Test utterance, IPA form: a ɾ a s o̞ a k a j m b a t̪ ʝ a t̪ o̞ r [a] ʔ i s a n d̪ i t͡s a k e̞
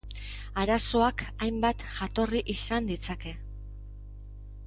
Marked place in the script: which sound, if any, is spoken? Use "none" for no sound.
i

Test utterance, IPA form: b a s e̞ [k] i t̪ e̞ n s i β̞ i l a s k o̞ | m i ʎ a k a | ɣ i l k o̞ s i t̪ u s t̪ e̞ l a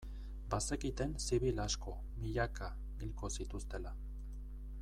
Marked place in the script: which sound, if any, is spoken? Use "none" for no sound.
k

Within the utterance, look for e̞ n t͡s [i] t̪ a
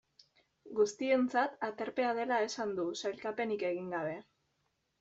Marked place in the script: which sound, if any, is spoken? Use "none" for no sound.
a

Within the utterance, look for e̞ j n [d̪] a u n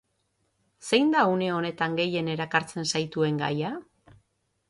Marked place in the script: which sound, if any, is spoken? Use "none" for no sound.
d̪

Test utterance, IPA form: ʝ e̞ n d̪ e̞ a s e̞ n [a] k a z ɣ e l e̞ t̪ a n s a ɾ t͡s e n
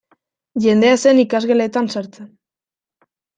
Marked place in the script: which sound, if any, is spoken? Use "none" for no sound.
i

